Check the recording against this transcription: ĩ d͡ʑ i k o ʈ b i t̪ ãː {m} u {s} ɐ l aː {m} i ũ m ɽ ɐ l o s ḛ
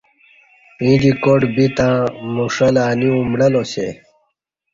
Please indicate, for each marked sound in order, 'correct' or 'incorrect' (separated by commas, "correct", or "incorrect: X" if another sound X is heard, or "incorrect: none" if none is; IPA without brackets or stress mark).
correct, incorrect: ʂ, incorrect: n